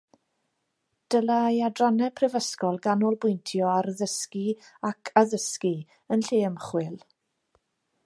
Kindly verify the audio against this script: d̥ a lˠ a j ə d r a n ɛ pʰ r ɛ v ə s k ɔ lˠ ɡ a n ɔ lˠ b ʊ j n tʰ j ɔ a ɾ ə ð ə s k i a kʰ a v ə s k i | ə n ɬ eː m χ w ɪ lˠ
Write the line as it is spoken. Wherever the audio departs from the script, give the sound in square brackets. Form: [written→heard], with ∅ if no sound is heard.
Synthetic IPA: d̥ [a→ə] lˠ a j [ə→a] d r a n ɛ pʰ r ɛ v ə s k ɔ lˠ ɡ a n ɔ lˠ b ʊ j n tʰ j ɔ a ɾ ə ð ə s k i a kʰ a [v→ð] ə s k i | ə n ɬ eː m χ w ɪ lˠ